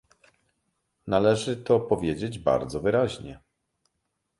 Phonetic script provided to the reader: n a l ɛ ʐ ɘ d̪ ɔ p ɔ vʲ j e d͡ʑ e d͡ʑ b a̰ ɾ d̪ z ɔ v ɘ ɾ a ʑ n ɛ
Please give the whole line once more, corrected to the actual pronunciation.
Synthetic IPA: n a l ɛ ʐ ɘ t̪ ɔ p ɔ vʲ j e d͡ʑ e d͡ʑ b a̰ ɾ d̪ z ɔ v ɘ ɾ a ʑ ɲ ɛ